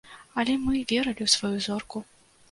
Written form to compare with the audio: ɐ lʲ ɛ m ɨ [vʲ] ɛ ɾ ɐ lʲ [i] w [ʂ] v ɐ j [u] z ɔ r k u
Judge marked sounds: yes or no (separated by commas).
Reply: yes, yes, no, yes